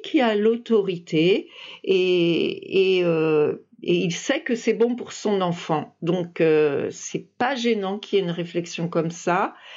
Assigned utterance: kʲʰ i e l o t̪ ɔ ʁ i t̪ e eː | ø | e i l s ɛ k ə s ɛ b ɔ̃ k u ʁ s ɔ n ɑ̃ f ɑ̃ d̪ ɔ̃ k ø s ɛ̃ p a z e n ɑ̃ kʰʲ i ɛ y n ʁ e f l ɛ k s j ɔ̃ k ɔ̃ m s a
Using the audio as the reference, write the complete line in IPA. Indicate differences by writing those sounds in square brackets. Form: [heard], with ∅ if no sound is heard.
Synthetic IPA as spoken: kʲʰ i [a] l o t̪ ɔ ʁ i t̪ e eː | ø | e i l s ɛ k ə s ɛ b ɔ̃ [p] u ʁ s [ɔ̃] n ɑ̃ f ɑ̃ d̪ ɔ̃ k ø s [ɛ] p a [ʒ] e n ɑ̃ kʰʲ i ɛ y n ʁ e f l ɛ k s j ɔ̃ k [ɔ] m s a